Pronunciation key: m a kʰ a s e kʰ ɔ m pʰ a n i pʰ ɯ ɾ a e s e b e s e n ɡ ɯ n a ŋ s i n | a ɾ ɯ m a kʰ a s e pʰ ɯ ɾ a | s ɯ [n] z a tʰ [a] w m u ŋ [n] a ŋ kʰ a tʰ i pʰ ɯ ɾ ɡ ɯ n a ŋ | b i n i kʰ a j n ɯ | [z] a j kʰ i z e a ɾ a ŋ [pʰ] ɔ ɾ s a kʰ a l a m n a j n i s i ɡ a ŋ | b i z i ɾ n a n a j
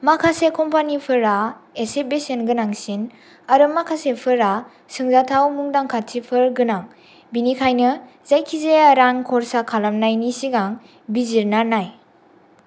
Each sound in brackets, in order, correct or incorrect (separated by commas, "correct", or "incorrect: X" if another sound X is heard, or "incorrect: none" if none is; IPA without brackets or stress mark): incorrect: ŋ, correct, incorrect: d, correct, incorrect: kʰ